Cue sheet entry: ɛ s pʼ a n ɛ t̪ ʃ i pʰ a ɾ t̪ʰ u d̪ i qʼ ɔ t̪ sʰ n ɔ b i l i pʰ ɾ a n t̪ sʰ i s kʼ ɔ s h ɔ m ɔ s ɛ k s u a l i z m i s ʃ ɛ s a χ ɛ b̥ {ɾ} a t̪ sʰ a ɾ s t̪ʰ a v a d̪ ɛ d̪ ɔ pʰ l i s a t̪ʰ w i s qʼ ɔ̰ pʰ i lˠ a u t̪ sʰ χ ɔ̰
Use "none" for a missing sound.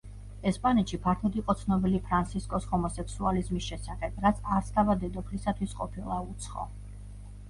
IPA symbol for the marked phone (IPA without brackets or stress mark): ɾ